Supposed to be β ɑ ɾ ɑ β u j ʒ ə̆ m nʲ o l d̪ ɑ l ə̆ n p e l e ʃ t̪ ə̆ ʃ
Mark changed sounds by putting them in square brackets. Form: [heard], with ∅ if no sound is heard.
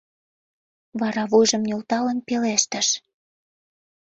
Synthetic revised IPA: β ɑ ɾ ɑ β u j ʒ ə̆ m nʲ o l [t̪] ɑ l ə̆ n p e l e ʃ t̪ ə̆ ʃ

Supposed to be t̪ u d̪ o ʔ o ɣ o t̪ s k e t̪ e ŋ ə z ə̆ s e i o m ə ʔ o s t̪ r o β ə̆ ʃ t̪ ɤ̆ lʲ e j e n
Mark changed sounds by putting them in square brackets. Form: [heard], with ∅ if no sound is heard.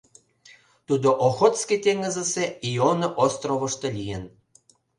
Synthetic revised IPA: t̪ u d̪ o ʔ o [x] o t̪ s k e t̪ e ŋ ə z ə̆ s e i o [n] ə ʔ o s t̪ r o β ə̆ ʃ t̪ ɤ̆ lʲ [i] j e n

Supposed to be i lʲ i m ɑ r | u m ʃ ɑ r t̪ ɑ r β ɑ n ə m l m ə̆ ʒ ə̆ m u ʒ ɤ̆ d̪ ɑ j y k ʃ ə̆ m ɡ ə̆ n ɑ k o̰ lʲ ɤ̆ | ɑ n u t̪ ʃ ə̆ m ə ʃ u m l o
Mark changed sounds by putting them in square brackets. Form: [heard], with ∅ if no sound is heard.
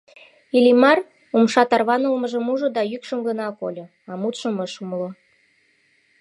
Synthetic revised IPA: i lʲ i m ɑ r | u m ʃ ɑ [∅] t̪ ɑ r β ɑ n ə [∅] l m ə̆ ʒ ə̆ m u ʒ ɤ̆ d̪ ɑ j y k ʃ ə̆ m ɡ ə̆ n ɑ k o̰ lʲ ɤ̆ | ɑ [m] u t̪ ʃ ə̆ m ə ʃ u m l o

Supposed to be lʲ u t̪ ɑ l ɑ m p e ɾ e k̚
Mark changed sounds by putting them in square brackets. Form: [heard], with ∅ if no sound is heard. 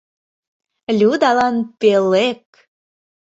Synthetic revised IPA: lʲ u [d̪] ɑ l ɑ [n] p e [l] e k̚

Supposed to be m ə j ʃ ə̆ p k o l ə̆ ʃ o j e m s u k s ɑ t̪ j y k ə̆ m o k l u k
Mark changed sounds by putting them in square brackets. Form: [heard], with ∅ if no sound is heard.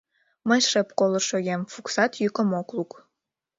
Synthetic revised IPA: m ə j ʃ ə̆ p k o l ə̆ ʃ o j e m [f] u k s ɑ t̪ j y k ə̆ m o k l u k

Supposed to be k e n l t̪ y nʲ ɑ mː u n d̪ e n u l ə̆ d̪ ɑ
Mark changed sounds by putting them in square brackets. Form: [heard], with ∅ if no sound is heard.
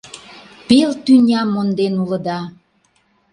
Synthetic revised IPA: [p] e [∅] l t̪ y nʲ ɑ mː [o] n d̪ e n u l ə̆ d̪ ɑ

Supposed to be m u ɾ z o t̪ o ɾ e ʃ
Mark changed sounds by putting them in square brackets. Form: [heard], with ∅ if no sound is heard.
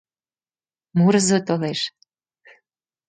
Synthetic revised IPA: m u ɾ z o t̪ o [l] e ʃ

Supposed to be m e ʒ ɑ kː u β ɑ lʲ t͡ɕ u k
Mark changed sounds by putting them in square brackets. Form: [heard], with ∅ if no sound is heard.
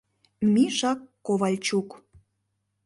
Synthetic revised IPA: m [i] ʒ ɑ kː [o] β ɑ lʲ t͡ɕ u k

